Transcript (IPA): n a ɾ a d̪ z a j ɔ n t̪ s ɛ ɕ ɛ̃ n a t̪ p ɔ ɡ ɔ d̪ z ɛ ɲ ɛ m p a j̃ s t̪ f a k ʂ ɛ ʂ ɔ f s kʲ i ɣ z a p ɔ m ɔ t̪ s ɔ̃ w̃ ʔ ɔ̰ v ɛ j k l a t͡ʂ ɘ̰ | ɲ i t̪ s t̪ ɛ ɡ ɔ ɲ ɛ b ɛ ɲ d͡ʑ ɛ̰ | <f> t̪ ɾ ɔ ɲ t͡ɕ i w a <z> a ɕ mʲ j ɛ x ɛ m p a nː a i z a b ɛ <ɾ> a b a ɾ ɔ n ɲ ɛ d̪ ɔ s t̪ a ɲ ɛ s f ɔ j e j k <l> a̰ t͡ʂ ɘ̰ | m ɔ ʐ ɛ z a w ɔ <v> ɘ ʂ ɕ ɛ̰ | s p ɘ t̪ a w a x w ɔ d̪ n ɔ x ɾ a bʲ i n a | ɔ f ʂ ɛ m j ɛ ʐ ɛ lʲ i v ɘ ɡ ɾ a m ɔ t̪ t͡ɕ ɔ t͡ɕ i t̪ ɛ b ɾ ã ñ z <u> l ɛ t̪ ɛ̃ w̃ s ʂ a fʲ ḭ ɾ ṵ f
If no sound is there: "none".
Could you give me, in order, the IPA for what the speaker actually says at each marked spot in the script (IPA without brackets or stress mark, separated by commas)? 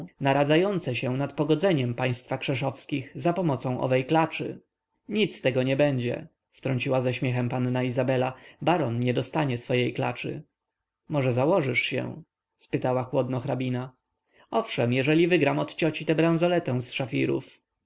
f, z, l, l, ʐ, ɔ